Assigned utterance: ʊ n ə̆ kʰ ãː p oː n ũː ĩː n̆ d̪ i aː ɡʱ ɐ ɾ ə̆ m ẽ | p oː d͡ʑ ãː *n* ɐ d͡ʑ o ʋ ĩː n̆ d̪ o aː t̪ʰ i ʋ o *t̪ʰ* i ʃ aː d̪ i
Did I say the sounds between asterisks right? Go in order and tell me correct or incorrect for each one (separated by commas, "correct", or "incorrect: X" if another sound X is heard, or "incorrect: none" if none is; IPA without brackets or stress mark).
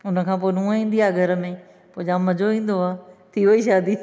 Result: incorrect: m, incorrect: none